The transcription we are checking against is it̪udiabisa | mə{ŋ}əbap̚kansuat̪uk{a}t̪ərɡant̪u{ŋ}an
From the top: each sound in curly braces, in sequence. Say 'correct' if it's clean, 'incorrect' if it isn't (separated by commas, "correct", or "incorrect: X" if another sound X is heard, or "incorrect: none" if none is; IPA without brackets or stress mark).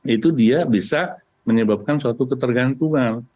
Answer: incorrect: ɲ, incorrect: ə, correct